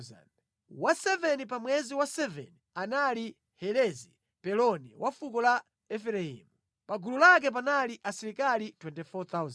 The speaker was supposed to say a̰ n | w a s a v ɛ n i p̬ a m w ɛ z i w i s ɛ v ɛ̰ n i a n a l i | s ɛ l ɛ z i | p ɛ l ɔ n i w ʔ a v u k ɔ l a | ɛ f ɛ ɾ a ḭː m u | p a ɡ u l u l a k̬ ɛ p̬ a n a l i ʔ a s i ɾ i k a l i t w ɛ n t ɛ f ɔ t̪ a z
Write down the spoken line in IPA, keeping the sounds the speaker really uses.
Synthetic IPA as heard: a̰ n | w a s ɛ v ɛ n i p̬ a m w ɛ z i w a s ɛ v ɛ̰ n i a n a l i | h ɛ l ɛ z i | p ɛ l ɔ n i w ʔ a f u k ɔ l a | ɛ f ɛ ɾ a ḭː m u | p a ɡ u l u l a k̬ ɛ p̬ a n a l i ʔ a s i ɾ i k a l i t w ɛ n t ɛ f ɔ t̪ a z